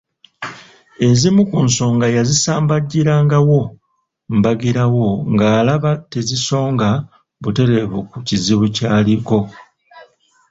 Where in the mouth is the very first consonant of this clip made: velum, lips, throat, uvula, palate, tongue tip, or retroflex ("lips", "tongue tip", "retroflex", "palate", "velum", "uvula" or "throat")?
tongue tip